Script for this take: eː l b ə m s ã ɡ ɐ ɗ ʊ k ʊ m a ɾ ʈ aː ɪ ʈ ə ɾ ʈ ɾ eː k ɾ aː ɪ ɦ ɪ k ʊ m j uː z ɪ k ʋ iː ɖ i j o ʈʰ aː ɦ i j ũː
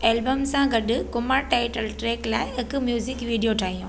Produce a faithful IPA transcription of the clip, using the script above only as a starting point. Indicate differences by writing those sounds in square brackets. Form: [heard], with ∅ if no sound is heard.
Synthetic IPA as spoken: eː l b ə m s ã ɡ ɐ ɗ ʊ k ʊ m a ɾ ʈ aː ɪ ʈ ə [l] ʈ ɾ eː k [l] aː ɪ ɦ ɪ k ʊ m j uː z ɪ k ʋ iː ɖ i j o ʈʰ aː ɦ i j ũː